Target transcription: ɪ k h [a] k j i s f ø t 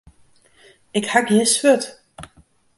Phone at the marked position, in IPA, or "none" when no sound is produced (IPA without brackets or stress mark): a